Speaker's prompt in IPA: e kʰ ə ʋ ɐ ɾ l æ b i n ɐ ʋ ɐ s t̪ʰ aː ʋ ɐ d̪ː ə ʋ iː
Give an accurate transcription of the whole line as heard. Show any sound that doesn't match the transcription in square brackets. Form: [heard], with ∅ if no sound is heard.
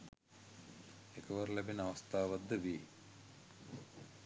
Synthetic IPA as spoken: e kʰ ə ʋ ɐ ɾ l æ b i n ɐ ʋ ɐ s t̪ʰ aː ʋ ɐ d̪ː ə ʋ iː